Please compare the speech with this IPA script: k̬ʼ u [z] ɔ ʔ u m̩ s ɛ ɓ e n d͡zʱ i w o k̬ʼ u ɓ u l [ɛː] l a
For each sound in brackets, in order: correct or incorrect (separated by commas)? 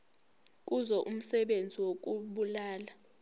correct, incorrect